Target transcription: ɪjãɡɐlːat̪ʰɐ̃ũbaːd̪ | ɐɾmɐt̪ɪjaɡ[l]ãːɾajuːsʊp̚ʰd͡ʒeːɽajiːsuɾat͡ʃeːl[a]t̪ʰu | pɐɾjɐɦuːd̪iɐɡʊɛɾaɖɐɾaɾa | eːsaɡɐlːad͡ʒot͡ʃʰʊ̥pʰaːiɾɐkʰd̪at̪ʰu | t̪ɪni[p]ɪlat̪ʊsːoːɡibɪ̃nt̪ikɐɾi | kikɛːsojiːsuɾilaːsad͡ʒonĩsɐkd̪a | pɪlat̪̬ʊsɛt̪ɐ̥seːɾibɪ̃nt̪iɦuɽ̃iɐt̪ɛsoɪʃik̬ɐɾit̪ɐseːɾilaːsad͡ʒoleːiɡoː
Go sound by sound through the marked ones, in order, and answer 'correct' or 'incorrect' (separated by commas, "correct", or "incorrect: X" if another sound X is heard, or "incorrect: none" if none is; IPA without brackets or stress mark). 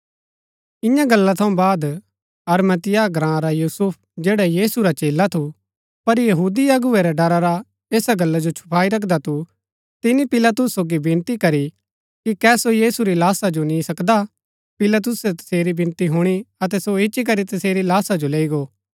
incorrect: ɾ, correct, correct